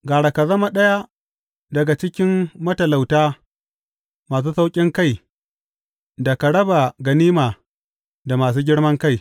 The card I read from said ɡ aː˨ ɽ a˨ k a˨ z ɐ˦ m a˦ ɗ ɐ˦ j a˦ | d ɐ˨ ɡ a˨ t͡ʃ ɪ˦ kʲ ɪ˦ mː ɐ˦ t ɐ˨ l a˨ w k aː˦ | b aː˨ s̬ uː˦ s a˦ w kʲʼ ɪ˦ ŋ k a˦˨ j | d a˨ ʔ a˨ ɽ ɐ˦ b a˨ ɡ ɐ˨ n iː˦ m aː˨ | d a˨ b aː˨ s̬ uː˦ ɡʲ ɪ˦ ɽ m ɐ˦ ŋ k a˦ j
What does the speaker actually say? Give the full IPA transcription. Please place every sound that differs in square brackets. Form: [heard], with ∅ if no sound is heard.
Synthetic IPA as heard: ɡ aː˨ ɽ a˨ k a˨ z ɐ˦ m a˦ ɗ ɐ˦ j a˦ | d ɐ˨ ɡ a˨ t͡ʃ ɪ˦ kʲ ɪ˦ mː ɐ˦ t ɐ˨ l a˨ w [t] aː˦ | [m] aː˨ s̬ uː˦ s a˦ w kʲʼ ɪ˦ ŋ k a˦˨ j | d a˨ [k] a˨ ɽ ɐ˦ b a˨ ɡ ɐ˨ n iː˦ m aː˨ | d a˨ [m] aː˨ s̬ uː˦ ɡʲ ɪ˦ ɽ m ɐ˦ ŋ k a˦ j